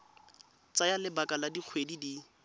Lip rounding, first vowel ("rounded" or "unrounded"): unrounded